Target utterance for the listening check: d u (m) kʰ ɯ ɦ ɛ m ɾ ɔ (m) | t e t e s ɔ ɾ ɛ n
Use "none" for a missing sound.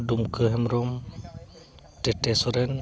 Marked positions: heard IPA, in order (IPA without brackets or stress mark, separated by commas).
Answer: m, m